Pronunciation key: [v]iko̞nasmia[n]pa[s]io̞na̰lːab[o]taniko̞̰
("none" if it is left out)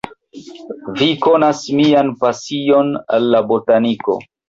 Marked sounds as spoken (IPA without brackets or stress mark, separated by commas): v, n, s, o